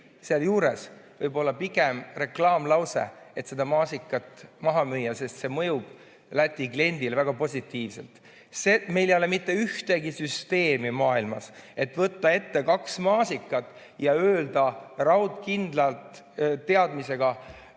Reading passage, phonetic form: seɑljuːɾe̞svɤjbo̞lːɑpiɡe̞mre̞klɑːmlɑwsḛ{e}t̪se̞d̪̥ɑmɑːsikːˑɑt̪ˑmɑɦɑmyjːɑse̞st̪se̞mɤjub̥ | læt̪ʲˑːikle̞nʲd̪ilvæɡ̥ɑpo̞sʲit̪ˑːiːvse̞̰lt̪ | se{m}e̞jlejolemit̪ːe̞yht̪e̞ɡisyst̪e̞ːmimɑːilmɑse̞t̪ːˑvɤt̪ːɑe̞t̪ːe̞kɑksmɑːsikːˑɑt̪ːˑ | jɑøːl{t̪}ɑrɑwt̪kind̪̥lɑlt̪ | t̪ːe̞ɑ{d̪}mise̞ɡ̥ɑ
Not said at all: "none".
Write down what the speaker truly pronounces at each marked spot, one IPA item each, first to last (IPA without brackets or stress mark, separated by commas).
e, m, d̪, d̪